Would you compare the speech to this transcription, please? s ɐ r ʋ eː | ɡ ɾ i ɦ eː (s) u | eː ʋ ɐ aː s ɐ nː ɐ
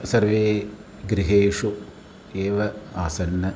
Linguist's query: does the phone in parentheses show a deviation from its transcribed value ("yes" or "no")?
yes